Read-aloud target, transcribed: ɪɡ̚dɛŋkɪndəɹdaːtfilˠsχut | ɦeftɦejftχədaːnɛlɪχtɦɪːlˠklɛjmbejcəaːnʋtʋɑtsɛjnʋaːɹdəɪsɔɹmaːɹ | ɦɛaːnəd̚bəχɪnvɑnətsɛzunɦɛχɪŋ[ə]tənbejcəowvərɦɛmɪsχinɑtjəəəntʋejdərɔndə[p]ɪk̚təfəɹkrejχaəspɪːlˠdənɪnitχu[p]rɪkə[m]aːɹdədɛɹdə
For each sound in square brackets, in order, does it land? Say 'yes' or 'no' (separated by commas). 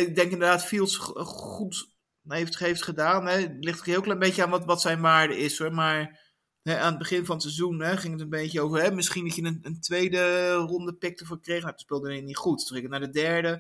yes, yes, no, no